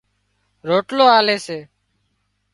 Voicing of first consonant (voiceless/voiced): voiced